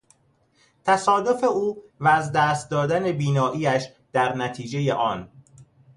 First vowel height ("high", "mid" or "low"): low